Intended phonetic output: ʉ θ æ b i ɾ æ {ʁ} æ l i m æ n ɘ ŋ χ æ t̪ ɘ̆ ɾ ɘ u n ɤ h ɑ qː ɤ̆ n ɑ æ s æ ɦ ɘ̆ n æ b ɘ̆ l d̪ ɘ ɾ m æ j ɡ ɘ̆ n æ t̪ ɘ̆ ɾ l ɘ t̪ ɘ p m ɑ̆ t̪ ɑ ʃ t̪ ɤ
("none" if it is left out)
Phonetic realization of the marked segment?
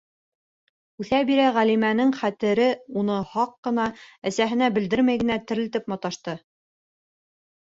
ʁ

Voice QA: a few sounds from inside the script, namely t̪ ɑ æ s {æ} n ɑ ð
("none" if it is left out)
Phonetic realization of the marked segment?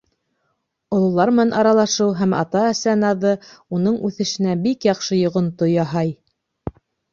æ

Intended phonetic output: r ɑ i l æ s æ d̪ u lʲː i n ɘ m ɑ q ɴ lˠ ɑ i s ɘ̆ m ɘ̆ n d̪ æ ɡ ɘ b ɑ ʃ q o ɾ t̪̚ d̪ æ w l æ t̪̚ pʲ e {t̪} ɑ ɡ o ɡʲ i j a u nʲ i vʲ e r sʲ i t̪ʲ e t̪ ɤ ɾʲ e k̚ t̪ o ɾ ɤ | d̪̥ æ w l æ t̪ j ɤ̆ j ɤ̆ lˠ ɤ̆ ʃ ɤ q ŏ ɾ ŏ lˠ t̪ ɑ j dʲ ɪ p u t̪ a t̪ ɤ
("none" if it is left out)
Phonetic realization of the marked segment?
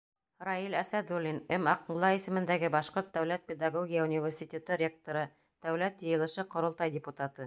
d̪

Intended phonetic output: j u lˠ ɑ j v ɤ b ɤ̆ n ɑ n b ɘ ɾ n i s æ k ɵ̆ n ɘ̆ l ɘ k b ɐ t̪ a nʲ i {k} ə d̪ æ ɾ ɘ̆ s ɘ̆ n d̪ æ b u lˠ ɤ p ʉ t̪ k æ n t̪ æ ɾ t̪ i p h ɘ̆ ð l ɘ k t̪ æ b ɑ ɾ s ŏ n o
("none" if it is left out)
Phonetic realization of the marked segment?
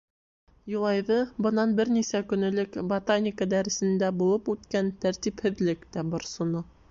k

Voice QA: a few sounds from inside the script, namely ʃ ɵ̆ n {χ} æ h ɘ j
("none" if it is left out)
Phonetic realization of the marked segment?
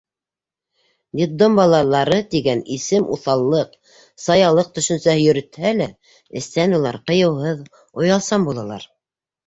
s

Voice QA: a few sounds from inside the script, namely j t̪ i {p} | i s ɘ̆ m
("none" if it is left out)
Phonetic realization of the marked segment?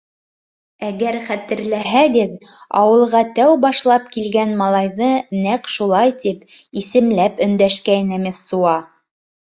p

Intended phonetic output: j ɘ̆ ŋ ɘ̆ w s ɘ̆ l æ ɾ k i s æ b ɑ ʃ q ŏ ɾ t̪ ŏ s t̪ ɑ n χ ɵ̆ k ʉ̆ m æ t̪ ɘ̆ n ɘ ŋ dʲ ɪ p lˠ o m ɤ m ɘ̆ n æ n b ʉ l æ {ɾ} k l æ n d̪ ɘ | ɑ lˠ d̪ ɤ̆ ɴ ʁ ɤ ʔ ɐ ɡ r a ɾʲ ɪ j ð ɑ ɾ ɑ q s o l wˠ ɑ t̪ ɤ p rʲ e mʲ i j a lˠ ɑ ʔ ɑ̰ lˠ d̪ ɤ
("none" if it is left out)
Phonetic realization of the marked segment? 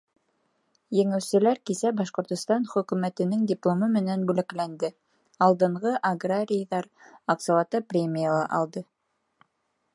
none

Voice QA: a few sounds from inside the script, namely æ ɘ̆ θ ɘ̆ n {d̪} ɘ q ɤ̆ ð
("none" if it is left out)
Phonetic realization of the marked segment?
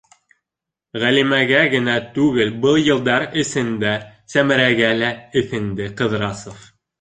d̪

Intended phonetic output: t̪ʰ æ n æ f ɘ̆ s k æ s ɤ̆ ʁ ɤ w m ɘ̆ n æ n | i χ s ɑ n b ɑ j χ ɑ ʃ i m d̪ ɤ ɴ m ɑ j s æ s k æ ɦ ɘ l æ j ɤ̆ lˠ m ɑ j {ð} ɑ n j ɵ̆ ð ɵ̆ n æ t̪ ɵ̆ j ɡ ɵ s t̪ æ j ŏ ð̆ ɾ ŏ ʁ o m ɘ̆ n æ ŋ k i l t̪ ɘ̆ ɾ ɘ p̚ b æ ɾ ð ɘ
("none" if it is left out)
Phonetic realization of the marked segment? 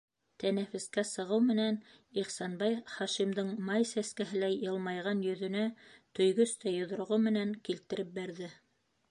ʁ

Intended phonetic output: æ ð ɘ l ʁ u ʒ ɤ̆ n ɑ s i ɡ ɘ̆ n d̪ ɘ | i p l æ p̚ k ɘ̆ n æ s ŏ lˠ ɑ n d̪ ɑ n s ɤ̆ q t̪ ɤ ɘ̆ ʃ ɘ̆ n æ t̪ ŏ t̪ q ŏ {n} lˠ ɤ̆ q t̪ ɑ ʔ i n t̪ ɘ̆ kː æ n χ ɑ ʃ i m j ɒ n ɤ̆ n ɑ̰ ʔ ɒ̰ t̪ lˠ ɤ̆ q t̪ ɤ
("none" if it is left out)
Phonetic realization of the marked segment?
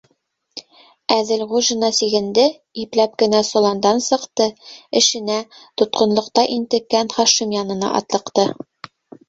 n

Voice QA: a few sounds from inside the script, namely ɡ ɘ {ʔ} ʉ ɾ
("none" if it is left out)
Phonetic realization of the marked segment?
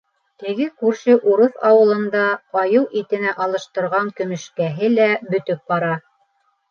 k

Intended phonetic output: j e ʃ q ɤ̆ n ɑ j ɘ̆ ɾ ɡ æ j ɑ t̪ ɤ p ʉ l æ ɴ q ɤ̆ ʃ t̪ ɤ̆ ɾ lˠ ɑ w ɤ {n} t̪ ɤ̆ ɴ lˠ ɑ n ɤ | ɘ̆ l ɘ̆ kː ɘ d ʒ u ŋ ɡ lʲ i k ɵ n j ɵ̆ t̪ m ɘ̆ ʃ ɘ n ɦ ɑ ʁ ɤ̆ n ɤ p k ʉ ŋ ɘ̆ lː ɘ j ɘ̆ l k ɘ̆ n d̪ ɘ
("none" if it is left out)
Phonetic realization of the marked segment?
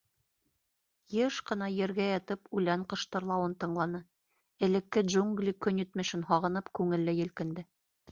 n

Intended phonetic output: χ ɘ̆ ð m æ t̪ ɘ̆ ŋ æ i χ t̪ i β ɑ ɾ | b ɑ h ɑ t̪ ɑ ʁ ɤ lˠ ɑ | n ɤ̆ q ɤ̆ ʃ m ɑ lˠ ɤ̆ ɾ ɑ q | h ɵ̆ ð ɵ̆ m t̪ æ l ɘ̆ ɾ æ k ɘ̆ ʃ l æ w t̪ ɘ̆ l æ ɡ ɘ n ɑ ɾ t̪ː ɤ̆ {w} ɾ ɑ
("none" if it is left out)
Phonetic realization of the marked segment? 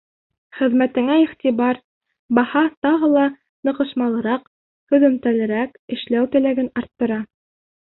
none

